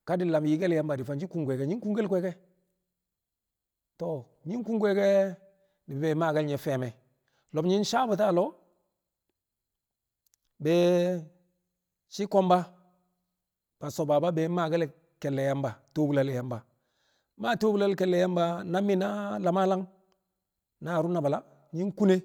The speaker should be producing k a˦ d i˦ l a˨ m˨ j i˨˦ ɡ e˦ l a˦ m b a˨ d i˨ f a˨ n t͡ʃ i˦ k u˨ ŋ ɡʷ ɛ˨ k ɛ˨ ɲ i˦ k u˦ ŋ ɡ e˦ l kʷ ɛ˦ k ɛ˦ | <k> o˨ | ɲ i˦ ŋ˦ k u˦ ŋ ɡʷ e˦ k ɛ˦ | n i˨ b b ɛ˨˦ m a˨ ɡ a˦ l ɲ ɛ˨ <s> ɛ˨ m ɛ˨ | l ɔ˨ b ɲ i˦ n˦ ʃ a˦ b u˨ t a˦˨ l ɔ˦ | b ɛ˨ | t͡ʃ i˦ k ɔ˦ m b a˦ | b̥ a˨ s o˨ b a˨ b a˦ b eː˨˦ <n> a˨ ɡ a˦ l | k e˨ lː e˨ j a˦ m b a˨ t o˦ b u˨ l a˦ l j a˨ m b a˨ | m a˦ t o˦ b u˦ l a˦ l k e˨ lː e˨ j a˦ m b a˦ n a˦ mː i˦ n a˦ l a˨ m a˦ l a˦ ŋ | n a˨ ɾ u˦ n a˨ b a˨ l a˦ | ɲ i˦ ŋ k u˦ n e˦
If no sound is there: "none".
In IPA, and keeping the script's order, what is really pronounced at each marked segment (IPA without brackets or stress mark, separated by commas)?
t, f, m